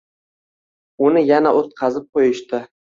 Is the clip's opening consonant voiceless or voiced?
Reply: voiced